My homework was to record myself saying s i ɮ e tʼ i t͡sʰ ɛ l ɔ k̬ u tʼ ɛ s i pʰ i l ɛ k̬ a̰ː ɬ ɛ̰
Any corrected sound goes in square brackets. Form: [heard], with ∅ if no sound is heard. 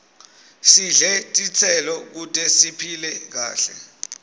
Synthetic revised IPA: s i ɮ [ɛ] tʼ i t͡sʰ ɛ l ɔ k̬ u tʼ ɛ s i pʰ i l ɛ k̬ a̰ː ɬ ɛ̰

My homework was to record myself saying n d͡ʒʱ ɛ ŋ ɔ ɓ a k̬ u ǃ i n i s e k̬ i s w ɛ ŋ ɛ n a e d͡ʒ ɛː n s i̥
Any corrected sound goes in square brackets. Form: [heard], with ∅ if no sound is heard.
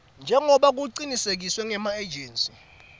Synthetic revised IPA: n d͡ʒʱ ɛ ŋ ɔ ɓ a k̬ u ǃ i n i s e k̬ i s w ɛ ŋ ɛ [m] a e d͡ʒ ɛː n s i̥

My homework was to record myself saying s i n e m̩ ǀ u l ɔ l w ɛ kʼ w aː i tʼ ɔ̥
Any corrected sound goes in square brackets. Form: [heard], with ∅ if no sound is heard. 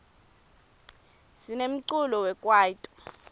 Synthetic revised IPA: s i n e m̩ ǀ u l ɔ [∅] w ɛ kʼ w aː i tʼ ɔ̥

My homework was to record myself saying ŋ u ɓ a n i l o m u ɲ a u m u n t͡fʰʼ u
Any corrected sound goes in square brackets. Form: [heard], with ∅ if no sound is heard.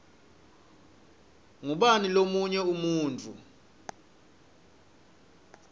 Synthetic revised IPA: ŋ u ɓ a n i l o m u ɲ [ɛ] u m [uː] n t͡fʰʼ u

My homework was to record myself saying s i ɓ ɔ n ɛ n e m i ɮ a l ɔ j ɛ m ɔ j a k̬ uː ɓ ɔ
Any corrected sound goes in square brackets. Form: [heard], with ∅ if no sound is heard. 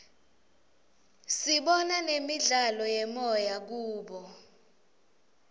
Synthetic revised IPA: s i ɓ ɔ n [a] n e m i ɮ a l ɔ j ɛ m ɔ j a k̬ uː ɓ ɔ

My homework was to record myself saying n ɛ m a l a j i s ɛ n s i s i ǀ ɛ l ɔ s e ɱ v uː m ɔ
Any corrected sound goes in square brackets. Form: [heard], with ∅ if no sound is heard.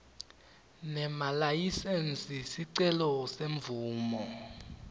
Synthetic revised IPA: n ɛ m a l a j i s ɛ n s i s i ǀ ɛ l ɔ s e ɱ v uː m ɔ

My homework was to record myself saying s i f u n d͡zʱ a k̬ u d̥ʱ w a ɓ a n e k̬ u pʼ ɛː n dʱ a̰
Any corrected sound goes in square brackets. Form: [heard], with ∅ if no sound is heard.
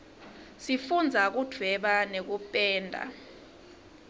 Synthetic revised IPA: s i f u n d͡zʱ a k̬ u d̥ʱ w [ɛ] ɓ a n e k̬ u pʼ ɛː n dʱ a̰

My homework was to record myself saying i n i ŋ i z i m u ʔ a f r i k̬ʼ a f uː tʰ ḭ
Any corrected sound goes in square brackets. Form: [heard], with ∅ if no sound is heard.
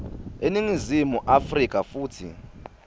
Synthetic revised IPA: [e] n i ŋ i z i m u ʔ a f r i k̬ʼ a f uː tʰ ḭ

